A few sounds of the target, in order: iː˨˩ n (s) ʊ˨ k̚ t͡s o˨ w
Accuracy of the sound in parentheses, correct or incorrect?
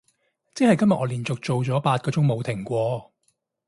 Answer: incorrect